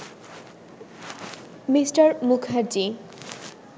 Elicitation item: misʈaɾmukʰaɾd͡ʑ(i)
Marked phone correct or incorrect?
correct